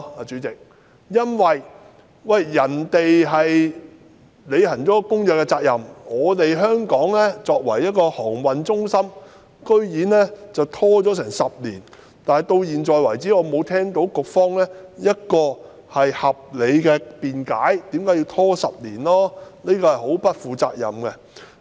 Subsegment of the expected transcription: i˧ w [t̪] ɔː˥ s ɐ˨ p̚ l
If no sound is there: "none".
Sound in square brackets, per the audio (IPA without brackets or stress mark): t̪ʰ